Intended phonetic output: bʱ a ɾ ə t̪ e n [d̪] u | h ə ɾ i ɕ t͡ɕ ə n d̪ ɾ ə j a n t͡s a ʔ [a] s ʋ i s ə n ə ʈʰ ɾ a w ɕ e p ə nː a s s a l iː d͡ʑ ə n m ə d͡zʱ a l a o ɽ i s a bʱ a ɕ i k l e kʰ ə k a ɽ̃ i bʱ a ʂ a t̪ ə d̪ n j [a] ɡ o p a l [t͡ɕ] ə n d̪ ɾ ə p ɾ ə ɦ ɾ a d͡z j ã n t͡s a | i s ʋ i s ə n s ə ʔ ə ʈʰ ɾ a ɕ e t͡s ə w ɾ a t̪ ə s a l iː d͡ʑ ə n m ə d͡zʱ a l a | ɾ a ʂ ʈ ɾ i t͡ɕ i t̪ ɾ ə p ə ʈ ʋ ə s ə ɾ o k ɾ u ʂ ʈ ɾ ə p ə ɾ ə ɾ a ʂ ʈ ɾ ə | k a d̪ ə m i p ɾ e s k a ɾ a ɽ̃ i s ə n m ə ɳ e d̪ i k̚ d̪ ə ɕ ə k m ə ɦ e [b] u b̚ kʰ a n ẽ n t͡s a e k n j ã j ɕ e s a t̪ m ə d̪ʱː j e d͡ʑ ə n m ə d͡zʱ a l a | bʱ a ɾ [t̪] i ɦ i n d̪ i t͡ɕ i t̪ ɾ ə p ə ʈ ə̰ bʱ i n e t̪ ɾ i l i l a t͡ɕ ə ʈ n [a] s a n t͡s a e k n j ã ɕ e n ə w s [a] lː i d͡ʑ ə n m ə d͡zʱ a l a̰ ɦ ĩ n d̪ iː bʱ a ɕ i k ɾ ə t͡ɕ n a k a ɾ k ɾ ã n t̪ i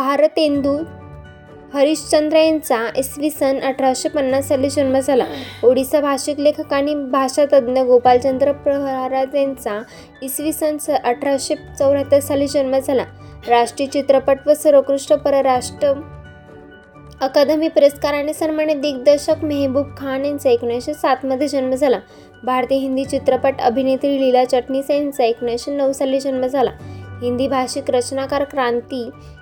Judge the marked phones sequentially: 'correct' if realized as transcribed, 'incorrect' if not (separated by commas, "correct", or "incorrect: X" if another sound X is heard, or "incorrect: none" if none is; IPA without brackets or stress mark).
correct, incorrect: i, incorrect: ə, correct, correct, correct, incorrect: i, correct